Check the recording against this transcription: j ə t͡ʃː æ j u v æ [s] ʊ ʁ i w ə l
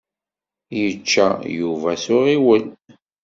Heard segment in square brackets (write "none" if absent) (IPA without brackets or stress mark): s